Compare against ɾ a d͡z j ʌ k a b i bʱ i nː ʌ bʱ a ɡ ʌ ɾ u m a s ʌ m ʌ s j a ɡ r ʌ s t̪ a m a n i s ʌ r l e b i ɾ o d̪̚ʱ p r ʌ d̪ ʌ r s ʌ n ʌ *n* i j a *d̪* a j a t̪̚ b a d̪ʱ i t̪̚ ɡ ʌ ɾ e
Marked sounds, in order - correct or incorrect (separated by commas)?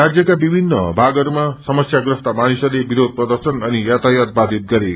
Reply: correct, incorrect